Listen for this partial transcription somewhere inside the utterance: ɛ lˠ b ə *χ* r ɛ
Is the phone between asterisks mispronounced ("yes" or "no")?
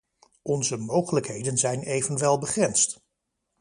no